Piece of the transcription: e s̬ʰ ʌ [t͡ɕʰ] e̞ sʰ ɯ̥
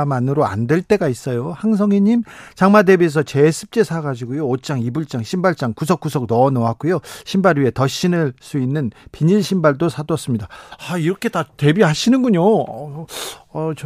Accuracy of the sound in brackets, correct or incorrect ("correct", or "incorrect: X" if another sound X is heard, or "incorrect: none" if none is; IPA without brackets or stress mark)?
incorrect: t͡ɕ